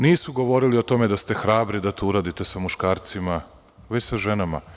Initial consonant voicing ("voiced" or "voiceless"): voiced